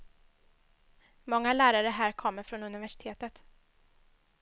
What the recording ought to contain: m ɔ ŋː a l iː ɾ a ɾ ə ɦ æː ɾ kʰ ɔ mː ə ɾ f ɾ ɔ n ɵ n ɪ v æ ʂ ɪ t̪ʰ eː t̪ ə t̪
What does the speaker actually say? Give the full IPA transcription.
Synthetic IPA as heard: m ɔ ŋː a l æː ɾ a ɾ ə ɦ æː ɾ kʰ ɔ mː ə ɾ f ɾ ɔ n ɵ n ɪ v æ ʂ ɪ t̪ʰ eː t̪ ə t̪